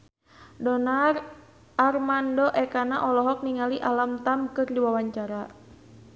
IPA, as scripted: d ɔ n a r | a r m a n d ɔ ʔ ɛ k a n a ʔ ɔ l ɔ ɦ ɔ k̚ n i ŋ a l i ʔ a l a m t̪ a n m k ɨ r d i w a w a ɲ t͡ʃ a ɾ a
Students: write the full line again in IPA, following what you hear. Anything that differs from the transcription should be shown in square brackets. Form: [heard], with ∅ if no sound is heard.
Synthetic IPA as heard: d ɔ n a r | a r m a n d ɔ ʔ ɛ k a n a ʔ ɔ l ɔ ɦ ɔ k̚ n i ŋ a l i ʔ a l a m t̪ a [∅] m k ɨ r d i w a w a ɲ t͡ʃ a ɾ a